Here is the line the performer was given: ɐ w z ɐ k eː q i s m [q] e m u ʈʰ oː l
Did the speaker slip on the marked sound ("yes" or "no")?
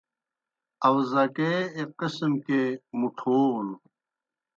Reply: yes